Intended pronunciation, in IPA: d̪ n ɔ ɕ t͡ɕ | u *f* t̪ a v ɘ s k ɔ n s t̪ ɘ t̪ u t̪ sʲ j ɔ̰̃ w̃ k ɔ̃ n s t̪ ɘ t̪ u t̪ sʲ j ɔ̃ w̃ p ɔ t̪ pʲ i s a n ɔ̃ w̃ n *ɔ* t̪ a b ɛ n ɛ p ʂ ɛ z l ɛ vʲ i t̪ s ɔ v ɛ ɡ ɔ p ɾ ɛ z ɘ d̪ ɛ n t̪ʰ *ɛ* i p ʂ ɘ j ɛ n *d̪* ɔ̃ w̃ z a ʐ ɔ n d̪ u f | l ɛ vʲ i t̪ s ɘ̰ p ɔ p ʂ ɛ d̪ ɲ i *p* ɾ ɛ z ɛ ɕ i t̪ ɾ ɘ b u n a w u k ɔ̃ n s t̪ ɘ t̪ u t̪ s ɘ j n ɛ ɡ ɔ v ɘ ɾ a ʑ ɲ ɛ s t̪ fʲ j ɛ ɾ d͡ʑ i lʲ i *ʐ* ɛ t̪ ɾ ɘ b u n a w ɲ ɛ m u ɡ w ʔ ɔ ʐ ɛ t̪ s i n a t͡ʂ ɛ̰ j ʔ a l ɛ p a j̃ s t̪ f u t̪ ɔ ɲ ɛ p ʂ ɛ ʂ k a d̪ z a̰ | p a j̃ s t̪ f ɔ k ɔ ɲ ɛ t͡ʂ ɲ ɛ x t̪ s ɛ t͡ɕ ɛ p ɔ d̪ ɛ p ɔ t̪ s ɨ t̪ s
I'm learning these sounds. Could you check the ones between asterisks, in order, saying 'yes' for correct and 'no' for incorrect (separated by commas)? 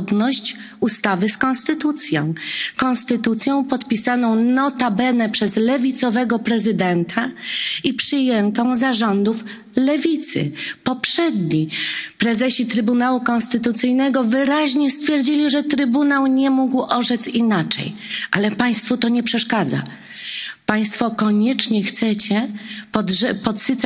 no, yes, no, no, yes, yes